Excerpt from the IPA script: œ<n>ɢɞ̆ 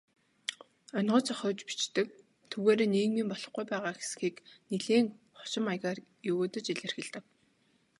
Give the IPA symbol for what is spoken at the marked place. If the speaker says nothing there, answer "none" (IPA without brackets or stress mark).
n